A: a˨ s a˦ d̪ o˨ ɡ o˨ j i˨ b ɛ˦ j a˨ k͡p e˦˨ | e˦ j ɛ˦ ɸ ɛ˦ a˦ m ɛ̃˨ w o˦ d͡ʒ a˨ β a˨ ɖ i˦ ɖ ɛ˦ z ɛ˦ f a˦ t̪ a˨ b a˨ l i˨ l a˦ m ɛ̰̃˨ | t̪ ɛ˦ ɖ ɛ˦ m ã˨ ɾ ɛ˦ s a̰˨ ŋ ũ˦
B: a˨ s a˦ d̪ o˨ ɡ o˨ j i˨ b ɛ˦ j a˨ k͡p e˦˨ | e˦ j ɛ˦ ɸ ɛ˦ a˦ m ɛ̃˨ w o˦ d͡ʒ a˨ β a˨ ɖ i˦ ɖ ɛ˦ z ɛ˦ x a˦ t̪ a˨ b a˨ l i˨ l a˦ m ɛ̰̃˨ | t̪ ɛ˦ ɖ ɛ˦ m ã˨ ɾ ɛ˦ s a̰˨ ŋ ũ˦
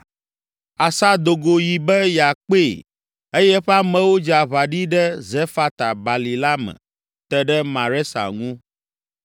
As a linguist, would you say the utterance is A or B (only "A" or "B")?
A